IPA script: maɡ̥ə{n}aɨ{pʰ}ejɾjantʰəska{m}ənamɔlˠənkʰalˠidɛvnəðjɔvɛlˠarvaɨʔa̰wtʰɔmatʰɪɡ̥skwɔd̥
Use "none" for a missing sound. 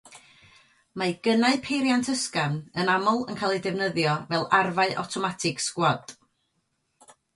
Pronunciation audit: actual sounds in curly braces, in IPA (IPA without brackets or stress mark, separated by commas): n, pʰ, n